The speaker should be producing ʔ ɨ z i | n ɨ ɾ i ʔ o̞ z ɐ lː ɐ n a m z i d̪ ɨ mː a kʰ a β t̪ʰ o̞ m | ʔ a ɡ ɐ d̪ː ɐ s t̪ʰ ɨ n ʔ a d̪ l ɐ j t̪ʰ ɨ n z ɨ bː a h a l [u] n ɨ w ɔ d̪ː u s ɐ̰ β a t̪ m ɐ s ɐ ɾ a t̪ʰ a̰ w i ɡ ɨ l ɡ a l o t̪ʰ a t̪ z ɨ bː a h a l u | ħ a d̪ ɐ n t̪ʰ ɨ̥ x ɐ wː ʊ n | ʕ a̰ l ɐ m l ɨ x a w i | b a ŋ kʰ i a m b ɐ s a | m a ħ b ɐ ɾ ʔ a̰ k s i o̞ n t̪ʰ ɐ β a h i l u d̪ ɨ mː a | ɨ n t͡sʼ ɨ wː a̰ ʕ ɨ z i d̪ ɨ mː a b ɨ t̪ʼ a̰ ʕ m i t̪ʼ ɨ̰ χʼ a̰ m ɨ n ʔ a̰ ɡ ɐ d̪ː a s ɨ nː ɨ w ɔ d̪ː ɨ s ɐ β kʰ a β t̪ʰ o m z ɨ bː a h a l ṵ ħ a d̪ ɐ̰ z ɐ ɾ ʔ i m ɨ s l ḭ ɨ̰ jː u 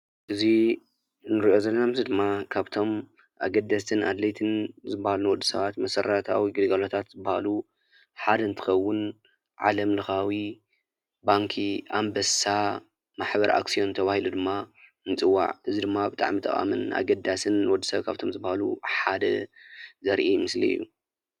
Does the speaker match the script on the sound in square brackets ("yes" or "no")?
yes